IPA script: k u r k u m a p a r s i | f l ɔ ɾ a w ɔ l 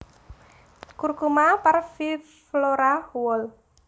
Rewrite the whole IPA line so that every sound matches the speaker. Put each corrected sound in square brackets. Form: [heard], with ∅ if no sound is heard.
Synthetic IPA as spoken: k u r k u m a p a r [f] i | f l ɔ ɾ a w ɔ l